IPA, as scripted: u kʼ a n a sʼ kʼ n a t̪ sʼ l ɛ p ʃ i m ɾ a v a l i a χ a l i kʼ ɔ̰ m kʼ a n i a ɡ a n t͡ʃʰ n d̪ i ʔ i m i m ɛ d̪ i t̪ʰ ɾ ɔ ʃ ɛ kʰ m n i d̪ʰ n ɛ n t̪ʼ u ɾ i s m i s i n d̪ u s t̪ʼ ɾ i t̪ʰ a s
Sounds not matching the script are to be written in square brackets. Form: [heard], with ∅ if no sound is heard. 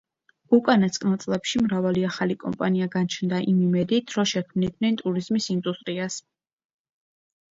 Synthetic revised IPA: u kʼ a n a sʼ kʼ n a t̪ sʼ l ɛ p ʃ i m ɾ a v a l i a χ a l i kʼ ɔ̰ m [pʼ] a n i a ɡ a n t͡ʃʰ n d̪ [a] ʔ i m i m ɛ d̪ i t̪ʰ ɾ ɔ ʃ ɛ kʰ m n i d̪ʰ n ɛ n t̪ʼ u ɾ i [z] m i s i n d̪ u s t̪ʼ ɾ i [∅] a s